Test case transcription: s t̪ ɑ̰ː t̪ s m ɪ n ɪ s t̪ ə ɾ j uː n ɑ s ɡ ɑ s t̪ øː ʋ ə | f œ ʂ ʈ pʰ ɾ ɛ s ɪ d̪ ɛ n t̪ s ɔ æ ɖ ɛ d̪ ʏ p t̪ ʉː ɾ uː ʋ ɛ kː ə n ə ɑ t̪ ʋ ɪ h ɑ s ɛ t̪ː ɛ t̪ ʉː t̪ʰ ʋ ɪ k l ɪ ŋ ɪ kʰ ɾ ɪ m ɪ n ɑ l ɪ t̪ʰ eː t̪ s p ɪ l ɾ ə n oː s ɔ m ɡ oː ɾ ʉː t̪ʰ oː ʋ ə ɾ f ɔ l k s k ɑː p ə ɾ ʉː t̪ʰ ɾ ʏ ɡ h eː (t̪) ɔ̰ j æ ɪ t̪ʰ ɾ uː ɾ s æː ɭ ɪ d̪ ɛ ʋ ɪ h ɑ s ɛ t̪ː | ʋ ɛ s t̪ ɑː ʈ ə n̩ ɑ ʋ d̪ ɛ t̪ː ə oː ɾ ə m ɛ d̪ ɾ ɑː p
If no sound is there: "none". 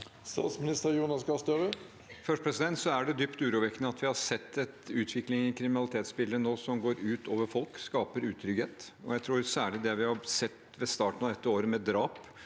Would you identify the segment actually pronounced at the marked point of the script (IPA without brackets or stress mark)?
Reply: t̪